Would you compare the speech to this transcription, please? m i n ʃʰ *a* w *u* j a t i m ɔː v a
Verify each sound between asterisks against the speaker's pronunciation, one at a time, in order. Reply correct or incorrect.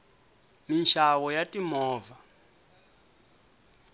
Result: correct, incorrect

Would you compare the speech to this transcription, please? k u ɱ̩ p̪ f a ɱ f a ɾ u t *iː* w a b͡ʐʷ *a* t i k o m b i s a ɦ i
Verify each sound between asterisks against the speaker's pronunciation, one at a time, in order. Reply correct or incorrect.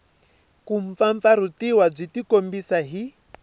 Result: incorrect, incorrect

